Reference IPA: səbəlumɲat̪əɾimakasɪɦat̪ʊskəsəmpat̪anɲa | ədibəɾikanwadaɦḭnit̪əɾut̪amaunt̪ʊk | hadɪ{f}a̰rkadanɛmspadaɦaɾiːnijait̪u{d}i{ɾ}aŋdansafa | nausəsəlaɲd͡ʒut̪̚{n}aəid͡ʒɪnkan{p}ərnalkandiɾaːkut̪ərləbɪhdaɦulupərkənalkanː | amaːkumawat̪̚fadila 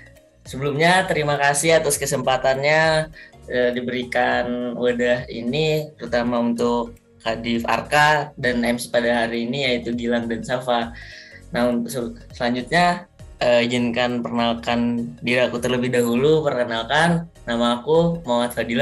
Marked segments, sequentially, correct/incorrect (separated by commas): correct, incorrect, incorrect, incorrect, correct